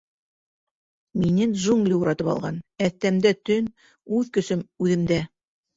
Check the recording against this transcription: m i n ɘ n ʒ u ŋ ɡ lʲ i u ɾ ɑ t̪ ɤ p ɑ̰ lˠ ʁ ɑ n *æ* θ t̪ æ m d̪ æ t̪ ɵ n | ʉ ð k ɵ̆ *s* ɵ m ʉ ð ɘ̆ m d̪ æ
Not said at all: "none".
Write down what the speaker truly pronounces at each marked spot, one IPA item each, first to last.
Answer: æ, s

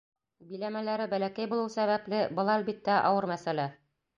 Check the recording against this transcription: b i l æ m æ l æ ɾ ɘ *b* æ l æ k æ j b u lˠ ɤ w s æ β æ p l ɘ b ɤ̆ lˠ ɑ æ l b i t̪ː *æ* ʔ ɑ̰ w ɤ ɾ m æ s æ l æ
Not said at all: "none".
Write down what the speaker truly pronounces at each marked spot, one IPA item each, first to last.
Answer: b, æ

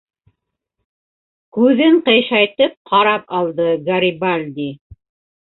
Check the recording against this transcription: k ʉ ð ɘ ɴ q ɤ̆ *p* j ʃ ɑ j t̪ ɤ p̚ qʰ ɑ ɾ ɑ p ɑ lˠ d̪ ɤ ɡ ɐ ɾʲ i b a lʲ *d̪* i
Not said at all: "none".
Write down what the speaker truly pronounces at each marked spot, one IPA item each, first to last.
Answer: none, d̪

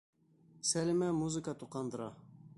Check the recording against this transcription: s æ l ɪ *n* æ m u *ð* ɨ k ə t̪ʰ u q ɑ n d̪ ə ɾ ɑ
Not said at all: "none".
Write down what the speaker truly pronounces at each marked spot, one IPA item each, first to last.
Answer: m, z

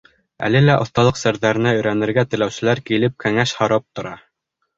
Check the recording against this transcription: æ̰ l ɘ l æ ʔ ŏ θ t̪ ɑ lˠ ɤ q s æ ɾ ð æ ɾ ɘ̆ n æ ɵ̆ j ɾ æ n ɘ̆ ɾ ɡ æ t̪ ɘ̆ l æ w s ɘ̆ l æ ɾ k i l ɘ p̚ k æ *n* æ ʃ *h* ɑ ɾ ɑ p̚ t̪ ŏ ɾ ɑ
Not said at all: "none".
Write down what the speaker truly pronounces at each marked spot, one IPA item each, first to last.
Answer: ŋ, h

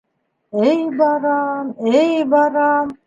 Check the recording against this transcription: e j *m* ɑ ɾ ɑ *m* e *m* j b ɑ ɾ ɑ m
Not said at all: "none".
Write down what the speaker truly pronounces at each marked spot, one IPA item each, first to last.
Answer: b, m, none

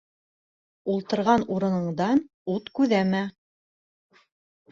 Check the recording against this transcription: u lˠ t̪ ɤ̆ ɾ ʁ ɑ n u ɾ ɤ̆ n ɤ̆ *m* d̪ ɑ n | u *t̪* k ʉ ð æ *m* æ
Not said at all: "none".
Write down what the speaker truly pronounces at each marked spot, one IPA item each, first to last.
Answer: ɴ, t̪, m

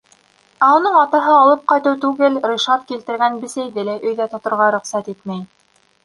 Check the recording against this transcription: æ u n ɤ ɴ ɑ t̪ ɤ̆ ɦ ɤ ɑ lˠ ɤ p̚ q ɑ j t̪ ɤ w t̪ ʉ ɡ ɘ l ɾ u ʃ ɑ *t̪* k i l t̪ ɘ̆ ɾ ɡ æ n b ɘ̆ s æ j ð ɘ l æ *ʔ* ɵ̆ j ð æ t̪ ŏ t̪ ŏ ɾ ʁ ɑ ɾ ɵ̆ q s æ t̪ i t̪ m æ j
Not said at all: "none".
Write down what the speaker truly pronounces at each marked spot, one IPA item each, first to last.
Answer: t̪, ʔ

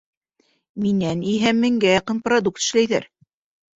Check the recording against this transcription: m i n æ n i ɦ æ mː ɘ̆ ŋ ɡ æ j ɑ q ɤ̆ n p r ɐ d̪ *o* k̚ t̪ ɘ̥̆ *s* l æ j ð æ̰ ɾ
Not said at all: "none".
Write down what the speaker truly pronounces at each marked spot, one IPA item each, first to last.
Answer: u, ʃ

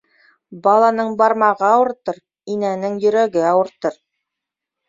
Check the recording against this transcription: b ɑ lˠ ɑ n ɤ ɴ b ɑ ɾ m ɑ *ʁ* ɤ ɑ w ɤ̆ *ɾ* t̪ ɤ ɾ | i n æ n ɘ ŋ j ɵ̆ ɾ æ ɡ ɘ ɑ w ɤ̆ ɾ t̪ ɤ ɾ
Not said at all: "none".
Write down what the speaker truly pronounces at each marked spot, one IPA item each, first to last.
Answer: ʁ, ɾ

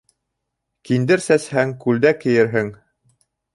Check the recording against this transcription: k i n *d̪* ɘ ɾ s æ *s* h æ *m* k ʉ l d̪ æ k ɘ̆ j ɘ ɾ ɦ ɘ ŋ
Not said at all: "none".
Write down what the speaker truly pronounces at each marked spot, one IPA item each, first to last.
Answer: d̪, s, ŋ

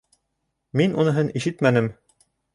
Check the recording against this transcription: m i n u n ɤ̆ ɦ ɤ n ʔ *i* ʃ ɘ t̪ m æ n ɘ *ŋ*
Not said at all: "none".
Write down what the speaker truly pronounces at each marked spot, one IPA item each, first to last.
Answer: i, m

